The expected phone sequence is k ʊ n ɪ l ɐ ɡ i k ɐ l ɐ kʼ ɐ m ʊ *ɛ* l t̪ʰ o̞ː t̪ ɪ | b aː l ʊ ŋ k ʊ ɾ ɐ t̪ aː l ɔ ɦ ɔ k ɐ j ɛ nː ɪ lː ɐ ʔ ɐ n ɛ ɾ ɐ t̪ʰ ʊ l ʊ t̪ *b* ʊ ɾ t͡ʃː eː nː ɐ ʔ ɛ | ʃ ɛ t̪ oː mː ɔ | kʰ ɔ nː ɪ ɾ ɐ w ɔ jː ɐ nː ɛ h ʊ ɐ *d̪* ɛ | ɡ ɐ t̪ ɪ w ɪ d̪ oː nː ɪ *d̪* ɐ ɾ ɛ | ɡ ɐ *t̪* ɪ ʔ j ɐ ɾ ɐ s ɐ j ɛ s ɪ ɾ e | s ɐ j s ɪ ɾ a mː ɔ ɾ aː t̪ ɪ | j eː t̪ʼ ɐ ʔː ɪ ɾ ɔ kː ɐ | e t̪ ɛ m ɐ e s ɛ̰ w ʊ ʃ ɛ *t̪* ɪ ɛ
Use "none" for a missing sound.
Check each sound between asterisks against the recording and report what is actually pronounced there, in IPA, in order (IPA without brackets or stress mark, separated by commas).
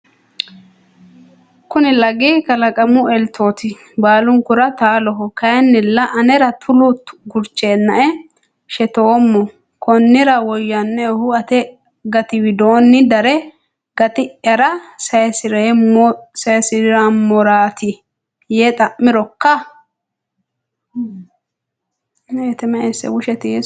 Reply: ɛ, ɡ, t̪, d̪, t̪, t̪